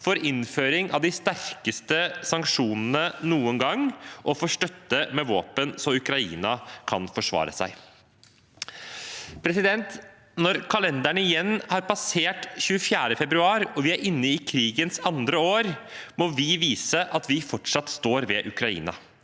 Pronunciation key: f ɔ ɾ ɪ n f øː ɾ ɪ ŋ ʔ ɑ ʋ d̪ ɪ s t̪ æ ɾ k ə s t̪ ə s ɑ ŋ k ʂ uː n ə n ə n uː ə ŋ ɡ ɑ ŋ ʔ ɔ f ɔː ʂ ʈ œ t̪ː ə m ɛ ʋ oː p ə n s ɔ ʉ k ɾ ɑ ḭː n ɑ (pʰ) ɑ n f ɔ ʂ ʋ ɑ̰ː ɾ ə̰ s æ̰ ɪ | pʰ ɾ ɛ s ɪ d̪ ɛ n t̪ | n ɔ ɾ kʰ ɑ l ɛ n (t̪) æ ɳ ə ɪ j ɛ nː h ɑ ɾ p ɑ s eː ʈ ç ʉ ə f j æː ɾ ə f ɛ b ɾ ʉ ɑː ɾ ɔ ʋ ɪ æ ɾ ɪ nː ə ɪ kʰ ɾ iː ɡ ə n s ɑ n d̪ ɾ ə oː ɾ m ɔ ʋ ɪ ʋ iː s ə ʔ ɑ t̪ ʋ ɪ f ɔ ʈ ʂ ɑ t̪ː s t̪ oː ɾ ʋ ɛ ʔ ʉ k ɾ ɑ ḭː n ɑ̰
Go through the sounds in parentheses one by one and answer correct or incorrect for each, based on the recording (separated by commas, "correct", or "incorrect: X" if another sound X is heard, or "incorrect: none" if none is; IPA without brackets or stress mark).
incorrect: kʰ, incorrect: d̪